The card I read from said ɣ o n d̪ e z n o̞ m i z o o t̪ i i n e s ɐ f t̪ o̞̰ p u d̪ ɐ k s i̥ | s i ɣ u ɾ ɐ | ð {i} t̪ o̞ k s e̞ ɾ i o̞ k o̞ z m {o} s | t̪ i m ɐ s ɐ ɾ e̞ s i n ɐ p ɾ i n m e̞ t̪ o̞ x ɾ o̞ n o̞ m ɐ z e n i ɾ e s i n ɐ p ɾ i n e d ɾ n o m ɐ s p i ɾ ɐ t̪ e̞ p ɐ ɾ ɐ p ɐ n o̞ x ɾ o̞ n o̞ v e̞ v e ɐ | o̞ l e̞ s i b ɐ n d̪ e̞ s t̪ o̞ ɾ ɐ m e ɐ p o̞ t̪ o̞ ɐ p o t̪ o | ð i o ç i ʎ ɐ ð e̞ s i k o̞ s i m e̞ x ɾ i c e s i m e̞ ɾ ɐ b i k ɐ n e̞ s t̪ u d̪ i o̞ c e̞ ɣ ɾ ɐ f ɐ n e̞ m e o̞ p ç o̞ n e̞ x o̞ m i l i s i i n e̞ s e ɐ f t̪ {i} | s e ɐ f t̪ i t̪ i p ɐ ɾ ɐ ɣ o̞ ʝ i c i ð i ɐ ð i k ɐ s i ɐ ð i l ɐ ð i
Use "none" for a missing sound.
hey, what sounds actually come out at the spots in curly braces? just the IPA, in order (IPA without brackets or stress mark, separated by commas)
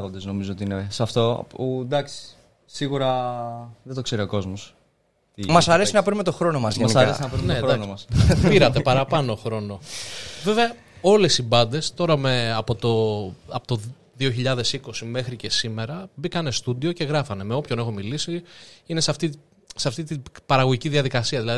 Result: e, o, i